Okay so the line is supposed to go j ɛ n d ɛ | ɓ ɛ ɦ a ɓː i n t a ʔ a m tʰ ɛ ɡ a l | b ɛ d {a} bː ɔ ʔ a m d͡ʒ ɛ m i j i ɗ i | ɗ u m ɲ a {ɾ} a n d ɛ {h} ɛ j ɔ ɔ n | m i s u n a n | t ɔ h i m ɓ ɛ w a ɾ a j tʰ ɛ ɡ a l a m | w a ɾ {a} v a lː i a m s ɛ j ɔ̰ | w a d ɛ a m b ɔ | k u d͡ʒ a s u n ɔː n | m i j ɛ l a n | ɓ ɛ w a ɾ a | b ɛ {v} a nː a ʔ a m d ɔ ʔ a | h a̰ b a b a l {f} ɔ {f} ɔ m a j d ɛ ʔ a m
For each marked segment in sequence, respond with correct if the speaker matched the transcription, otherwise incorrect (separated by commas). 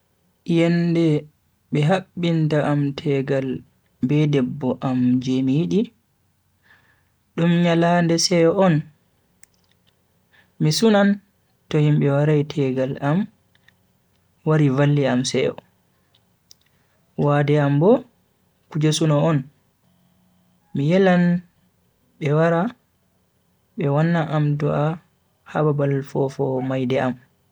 incorrect, incorrect, incorrect, incorrect, incorrect, correct, correct